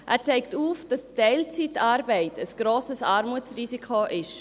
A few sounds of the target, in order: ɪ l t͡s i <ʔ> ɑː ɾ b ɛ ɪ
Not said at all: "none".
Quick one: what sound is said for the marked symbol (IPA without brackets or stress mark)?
t